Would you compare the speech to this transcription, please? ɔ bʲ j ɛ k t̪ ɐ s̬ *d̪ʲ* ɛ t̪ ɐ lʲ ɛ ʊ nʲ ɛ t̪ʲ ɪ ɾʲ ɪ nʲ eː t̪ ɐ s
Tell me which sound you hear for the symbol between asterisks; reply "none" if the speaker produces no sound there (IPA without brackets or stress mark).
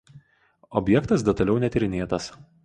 d̪ʲ